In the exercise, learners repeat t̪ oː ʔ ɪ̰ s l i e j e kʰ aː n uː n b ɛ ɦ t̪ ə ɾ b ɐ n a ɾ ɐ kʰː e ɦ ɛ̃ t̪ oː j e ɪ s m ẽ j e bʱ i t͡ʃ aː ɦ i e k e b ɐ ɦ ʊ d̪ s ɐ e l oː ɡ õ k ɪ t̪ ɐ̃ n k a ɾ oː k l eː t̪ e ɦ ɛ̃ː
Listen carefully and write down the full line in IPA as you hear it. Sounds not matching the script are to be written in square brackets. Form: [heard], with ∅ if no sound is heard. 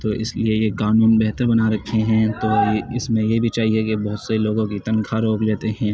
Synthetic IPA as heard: t̪ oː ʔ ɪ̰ s l i e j e [k] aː n uː n b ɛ ɦ t̪ ə ɾ b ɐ n a ɾ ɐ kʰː e ɦ ɛ̃ t̪ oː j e ɪ s m ẽ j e bʱ i t͡ʃ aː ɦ i e k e b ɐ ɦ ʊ [t̪] s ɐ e l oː ɡ õ k [i] t̪ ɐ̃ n [kʰ] a ɾ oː k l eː t̪ e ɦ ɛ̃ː